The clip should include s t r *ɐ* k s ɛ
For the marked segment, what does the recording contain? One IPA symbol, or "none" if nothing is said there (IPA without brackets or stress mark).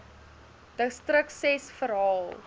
ə